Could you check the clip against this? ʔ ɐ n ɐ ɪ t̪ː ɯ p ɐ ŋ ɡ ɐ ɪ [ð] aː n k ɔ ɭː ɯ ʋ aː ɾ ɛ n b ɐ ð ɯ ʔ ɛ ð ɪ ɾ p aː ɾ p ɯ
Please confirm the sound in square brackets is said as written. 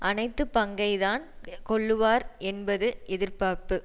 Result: yes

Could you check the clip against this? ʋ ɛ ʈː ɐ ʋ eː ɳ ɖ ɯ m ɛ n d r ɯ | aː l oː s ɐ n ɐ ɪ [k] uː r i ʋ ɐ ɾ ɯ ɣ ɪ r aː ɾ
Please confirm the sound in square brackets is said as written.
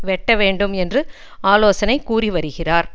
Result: yes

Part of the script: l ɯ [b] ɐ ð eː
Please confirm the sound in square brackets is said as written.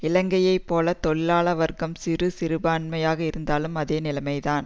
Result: no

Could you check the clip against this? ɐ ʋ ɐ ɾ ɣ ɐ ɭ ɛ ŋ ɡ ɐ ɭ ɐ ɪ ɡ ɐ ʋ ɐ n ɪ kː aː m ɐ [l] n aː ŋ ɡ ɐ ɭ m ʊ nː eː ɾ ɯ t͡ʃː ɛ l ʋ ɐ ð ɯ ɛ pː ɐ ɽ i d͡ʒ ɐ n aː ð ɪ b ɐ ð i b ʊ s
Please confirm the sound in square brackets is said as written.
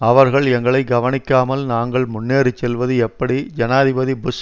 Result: yes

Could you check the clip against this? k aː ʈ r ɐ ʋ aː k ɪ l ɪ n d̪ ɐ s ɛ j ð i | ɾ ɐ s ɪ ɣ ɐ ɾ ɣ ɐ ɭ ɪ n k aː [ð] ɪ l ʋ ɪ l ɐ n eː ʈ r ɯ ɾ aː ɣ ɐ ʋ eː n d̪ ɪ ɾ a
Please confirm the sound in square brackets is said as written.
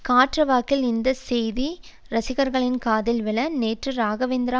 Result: yes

